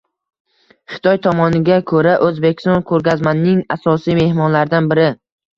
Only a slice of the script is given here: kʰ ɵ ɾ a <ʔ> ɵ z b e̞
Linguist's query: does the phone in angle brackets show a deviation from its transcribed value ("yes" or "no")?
no